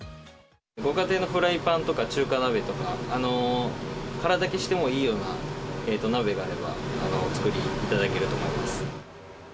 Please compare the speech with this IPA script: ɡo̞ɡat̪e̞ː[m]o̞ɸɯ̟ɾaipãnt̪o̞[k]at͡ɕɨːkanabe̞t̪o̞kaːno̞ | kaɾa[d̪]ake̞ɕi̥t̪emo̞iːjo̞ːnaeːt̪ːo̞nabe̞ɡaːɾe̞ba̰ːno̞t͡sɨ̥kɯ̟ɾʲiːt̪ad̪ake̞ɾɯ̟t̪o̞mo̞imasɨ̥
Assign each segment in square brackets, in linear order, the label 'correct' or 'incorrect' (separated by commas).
incorrect, correct, correct